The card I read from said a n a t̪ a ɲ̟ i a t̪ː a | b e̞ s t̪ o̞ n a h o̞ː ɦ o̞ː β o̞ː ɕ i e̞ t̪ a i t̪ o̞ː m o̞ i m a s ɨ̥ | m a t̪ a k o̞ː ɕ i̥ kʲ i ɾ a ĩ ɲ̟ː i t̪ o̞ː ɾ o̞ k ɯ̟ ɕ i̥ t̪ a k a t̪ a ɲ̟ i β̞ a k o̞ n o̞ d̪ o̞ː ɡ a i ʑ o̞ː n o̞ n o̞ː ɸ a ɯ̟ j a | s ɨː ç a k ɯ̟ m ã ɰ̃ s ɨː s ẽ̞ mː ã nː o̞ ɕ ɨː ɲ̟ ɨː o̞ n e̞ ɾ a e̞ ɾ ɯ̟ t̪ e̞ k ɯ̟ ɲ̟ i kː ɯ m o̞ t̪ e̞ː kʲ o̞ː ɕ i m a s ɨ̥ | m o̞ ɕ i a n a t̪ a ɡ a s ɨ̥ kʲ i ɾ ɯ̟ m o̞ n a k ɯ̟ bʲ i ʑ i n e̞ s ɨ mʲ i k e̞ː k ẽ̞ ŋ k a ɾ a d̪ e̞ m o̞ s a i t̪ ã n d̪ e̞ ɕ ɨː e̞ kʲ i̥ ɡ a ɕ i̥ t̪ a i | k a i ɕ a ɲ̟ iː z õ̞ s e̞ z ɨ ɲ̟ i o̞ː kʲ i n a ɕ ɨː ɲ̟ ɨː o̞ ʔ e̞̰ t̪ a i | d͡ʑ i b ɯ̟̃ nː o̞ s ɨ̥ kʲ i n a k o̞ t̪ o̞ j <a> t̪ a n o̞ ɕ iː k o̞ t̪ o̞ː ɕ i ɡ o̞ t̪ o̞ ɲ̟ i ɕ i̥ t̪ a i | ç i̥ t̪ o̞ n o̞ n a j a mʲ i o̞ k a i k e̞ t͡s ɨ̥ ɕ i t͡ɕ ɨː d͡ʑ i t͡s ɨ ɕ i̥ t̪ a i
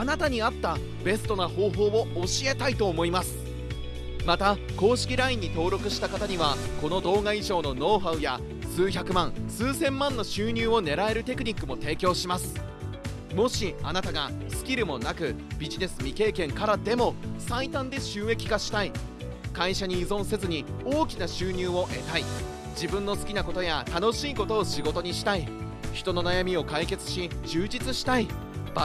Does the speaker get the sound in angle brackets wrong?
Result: no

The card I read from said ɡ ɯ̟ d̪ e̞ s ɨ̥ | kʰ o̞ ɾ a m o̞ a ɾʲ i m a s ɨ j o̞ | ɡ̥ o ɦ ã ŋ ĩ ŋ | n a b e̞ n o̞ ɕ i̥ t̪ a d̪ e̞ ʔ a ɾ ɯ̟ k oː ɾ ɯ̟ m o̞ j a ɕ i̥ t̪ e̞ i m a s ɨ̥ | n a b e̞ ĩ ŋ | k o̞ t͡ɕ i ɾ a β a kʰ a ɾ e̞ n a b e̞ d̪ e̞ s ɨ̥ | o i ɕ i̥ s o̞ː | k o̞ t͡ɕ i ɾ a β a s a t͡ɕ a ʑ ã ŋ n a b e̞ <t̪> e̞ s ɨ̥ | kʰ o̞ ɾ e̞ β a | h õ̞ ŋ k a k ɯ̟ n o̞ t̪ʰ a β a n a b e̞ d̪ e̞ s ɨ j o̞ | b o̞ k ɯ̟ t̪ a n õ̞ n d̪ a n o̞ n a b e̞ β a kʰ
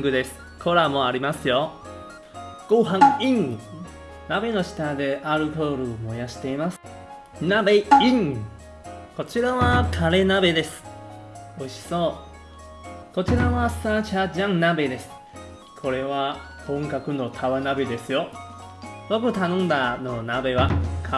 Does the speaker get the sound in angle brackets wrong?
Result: yes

